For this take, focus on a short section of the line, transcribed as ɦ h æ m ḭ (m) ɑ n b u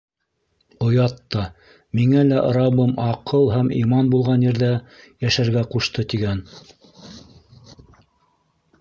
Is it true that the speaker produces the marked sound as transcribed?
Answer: yes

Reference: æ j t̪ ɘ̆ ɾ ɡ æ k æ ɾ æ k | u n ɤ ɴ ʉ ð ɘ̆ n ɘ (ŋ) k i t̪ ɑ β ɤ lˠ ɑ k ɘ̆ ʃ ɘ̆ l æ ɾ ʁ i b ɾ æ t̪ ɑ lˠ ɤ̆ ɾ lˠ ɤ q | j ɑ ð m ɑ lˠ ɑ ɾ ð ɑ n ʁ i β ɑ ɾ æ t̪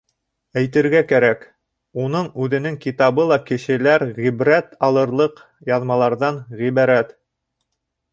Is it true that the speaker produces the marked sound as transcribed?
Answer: yes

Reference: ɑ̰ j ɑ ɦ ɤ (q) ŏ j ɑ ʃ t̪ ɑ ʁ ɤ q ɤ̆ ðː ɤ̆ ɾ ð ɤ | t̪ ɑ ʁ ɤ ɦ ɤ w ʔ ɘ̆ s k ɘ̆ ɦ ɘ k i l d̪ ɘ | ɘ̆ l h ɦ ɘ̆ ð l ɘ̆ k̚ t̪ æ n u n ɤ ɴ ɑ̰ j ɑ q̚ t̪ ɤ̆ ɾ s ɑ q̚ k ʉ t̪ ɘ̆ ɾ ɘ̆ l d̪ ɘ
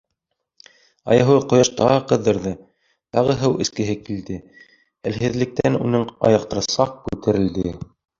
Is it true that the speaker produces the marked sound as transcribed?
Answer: yes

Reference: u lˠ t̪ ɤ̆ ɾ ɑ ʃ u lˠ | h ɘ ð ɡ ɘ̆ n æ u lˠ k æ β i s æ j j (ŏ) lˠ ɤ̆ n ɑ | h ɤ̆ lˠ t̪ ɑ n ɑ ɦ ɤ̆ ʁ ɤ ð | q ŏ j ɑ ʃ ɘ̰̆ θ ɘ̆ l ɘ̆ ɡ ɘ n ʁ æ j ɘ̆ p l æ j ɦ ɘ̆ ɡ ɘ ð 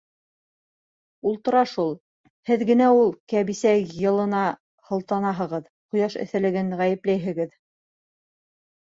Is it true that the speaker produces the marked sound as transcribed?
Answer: no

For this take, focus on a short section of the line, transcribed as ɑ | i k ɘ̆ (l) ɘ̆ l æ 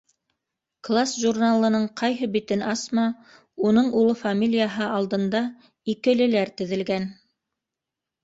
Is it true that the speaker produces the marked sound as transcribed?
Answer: yes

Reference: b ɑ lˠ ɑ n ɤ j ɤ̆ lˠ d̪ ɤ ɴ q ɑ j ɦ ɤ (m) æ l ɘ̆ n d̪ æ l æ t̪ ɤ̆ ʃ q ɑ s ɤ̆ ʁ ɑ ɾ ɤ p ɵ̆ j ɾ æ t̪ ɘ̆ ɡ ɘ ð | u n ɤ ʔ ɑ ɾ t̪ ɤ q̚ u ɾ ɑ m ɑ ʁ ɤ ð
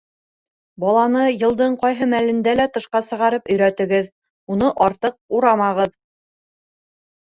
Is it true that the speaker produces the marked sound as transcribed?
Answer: yes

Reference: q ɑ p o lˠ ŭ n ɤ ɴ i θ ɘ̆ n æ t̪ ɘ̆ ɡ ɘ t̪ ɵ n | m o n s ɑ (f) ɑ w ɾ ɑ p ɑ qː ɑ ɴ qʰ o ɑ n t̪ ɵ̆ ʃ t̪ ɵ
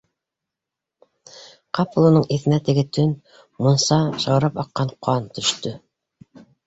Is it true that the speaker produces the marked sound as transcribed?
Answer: no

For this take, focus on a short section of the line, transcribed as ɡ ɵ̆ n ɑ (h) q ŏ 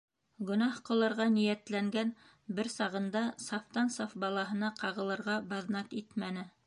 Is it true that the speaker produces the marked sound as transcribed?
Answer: yes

